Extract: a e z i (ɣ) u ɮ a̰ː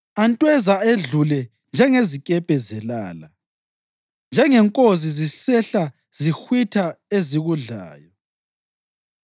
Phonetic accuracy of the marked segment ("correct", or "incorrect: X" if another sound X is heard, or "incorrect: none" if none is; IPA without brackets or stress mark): correct